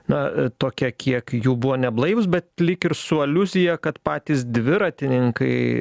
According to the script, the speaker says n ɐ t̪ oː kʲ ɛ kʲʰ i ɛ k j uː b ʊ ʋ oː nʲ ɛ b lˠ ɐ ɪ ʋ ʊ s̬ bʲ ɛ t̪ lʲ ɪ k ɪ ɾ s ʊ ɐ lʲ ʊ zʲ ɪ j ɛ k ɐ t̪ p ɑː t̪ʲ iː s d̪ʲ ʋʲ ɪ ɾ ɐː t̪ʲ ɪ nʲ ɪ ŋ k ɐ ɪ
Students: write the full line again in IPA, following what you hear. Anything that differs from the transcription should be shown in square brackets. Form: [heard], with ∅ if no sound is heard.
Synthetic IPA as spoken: n ɐ t̪ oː kʲ ɛ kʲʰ i ɛ k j uː b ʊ ʋ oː nʲ ɛ b lˠ ɐ ɪ ʋ ʊ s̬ bʲ ɛ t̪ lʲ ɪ k ɪ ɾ s ʊ ɐ lʲ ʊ zʲ ɪ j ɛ k ɐ t̪ p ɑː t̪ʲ iː s d̪ʲ ʋʲ ɪ ɾ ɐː t̪ʲ ɪ nʲ ɪ ŋ k ɐ ɪ